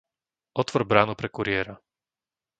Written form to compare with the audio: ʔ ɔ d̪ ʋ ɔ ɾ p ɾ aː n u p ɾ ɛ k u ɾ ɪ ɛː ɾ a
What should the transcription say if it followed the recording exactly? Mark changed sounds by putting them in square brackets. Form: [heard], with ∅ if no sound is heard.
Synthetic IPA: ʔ ɔ [t̪] ʋ ɔ ɾ [b] ɾ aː n u p ɾ ɛ k u ɾ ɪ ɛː ɾ a